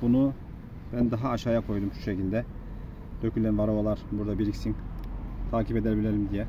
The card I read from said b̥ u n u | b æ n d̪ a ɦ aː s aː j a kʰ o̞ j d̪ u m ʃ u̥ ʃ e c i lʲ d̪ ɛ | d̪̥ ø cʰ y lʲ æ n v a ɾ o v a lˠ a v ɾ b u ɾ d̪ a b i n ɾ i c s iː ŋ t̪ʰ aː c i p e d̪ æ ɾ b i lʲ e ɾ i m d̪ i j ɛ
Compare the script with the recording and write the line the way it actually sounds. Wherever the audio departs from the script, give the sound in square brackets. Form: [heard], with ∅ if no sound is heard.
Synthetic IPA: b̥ u n u | b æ n d̪ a ɦ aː [ʃ] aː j a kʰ o̞ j d̪ u m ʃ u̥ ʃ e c i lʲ d̪ ɛ | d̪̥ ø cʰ y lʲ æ n v a ɾ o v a lˠ a [∅] ɾ b u ɾ d̪ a b i [∅] ɾ i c s [i] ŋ t̪ʰ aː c i p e d̪ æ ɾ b i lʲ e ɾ i m d̪ i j ɛ